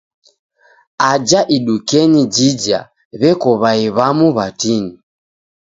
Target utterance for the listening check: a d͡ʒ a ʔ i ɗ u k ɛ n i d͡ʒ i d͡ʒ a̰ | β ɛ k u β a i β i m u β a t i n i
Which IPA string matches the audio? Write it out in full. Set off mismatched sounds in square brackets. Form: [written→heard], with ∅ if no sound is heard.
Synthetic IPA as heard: a d͡ʒ a ʔ i ɗ u k ɛ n i d͡ʒ i d͡ʒ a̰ | β ɛ k [u→ɔ] β a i β [i→a] m u β a t i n i